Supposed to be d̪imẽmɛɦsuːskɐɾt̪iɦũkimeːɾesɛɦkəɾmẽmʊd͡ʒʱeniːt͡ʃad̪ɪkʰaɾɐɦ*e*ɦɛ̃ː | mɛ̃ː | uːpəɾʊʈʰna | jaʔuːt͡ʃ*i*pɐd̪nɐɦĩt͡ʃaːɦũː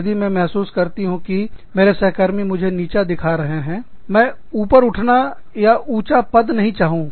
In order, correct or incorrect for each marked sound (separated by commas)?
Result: correct, incorrect